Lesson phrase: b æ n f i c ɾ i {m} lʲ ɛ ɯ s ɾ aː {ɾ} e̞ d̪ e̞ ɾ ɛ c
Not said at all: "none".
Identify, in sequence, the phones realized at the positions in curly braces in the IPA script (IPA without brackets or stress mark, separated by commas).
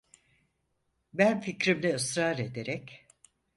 m, ɾ